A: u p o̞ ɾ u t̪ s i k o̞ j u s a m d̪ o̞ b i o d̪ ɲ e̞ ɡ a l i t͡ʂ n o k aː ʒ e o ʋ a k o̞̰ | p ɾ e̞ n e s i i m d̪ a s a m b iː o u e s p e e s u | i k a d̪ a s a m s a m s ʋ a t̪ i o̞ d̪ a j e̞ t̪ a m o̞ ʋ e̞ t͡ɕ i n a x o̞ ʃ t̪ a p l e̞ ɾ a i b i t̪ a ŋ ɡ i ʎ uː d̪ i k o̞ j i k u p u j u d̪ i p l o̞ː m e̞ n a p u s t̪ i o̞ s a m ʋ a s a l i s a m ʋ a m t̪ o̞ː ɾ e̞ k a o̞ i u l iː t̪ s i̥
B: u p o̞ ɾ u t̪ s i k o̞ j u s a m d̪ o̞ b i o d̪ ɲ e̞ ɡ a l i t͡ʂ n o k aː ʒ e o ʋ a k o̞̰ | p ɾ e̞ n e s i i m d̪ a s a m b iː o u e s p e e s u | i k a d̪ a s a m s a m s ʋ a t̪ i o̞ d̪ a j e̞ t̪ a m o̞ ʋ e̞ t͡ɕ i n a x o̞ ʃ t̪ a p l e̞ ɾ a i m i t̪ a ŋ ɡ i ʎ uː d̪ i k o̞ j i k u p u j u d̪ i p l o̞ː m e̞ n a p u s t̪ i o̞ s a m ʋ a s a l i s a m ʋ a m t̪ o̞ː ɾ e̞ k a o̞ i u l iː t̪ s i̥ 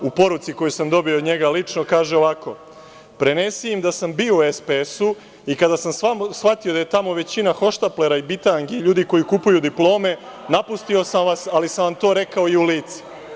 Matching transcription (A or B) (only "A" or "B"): A